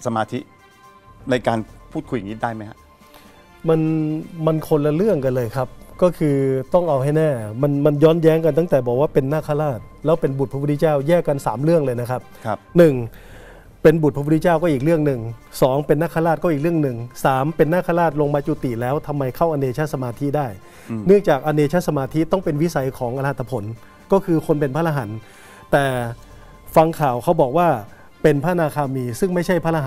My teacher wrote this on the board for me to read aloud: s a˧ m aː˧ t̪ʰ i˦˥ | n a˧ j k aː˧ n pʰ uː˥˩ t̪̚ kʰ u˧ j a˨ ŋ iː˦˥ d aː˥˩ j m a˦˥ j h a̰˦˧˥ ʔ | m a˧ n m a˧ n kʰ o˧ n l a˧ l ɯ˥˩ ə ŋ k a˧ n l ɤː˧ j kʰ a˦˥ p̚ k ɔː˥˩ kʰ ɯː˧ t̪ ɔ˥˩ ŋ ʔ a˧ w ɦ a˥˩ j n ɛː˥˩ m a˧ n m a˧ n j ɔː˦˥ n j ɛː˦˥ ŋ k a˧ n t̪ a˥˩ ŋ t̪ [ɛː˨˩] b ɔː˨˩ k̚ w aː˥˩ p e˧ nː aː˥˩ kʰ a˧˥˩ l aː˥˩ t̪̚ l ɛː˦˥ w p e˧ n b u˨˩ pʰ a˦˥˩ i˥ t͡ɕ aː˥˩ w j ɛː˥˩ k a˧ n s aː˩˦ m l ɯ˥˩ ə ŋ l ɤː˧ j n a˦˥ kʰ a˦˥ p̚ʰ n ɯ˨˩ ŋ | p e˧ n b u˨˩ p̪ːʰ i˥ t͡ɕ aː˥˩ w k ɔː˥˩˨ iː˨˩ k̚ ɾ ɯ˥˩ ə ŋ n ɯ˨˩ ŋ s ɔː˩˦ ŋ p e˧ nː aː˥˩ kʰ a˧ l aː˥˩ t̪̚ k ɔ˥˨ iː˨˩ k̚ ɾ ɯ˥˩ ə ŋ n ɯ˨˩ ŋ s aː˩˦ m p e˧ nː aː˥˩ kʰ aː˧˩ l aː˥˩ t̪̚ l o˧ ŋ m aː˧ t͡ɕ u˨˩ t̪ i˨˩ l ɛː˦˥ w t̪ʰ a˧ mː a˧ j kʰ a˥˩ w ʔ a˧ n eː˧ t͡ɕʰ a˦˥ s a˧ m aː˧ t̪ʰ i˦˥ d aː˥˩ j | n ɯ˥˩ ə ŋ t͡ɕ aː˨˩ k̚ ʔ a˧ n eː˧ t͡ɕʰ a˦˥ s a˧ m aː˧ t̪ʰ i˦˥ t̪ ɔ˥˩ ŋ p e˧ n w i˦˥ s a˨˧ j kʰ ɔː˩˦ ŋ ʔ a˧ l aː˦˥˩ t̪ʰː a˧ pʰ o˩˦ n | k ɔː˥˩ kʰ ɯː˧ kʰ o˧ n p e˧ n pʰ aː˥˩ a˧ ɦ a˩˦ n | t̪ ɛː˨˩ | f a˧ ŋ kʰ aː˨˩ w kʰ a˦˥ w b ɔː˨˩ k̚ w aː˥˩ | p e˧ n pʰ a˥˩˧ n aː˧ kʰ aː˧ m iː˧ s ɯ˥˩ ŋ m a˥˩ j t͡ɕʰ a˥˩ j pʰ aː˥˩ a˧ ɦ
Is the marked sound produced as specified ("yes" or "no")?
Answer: yes